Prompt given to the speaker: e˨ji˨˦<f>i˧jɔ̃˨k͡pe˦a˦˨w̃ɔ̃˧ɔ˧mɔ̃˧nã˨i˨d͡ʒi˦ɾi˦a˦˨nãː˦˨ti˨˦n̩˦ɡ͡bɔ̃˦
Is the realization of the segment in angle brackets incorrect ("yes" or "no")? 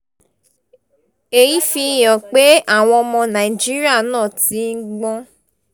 no